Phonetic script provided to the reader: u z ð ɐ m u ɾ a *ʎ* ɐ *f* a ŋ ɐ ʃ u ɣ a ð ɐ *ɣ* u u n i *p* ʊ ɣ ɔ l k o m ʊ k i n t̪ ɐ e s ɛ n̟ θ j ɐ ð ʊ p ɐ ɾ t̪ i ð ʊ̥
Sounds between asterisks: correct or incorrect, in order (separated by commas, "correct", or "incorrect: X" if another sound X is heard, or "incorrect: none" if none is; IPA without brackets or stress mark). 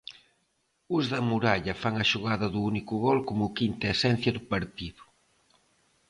correct, correct, incorrect: ð, incorrect: k